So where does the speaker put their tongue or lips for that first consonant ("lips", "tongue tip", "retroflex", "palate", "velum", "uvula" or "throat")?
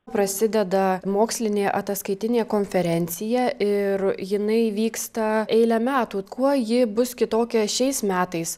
lips